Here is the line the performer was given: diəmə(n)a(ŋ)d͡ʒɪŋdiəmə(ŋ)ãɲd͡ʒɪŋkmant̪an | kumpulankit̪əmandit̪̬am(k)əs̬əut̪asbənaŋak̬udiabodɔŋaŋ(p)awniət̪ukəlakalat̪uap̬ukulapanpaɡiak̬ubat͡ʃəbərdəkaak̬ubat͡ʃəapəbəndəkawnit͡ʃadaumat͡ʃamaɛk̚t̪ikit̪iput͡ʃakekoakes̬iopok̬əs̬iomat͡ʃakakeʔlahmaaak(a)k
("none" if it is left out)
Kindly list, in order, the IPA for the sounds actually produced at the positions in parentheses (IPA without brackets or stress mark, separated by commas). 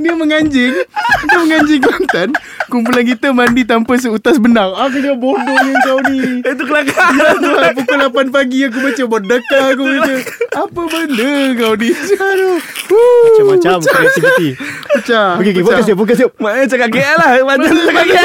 ŋ, ɲ, ŋ, p, k, a